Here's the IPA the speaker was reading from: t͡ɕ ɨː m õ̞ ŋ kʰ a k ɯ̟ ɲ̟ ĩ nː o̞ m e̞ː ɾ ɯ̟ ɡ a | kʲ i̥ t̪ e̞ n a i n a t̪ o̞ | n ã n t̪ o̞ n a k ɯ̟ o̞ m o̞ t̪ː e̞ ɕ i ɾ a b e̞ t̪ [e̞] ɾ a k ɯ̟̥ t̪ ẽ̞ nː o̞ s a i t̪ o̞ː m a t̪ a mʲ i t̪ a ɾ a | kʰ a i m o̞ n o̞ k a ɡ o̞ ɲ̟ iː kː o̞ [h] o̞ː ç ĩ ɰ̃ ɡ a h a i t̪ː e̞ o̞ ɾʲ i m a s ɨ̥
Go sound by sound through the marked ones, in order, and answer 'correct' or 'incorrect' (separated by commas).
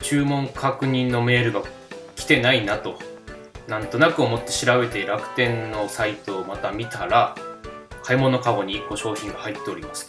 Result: correct, incorrect